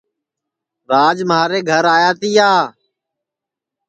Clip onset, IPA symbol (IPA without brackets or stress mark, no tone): ɾ